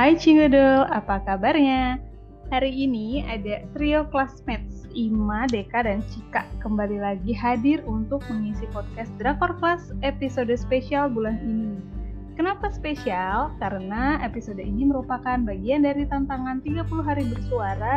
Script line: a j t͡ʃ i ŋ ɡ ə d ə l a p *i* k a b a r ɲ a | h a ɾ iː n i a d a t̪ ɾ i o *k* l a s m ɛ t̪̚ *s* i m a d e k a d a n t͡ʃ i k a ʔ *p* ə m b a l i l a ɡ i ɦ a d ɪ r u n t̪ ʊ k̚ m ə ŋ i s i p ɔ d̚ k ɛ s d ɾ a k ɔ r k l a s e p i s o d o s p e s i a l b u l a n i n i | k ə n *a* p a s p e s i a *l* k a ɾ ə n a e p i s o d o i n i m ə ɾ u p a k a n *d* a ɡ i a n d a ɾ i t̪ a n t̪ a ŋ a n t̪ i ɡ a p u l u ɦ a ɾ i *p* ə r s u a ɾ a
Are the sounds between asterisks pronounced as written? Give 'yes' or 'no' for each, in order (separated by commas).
no, yes, yes, no, yes, yes, no, no